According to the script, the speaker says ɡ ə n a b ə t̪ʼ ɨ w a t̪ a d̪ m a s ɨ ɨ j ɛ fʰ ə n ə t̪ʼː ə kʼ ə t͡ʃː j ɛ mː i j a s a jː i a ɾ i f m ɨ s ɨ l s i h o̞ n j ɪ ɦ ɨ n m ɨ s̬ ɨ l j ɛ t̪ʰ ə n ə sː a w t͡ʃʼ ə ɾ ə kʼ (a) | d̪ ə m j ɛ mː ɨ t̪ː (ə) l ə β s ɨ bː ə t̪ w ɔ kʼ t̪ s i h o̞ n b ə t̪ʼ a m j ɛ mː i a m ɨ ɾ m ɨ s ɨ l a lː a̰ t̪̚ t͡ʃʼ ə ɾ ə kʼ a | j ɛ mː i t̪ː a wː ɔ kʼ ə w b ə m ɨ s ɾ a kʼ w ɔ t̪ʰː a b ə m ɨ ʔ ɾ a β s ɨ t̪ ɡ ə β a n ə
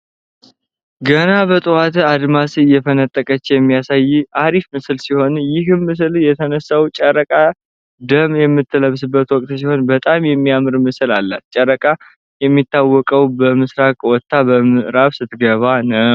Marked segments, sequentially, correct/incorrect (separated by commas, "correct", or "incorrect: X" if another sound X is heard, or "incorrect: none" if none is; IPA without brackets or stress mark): correct, correct